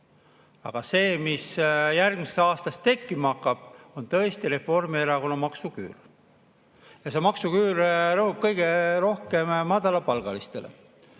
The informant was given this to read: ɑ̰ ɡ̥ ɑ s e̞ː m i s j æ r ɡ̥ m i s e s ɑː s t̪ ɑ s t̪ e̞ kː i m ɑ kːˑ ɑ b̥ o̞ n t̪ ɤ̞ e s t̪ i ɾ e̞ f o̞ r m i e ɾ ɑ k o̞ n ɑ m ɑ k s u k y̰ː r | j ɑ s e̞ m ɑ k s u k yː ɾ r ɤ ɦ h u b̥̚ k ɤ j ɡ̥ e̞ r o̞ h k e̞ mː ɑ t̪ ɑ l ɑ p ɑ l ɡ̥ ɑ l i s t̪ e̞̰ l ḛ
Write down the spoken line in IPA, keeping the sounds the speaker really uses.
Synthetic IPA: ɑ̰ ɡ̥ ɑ s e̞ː m i s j æ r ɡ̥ m i s e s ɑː s t̪ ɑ s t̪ e̞ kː i m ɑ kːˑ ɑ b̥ o̞ n t̪ ɤ̞ e s t̪ i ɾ e̞ f o̞ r m i e ɾ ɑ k o̞ n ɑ m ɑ k s u k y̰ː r | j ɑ s e̞ m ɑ k s u k yː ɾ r ɤ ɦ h u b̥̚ k ɤ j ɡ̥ e̞ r o̞ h k e̞ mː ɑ d̪ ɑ l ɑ p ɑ l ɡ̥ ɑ l i s t̪ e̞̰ l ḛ